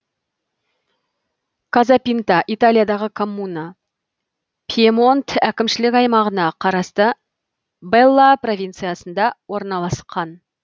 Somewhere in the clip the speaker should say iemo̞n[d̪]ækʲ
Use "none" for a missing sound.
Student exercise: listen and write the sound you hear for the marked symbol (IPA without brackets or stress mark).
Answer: t̪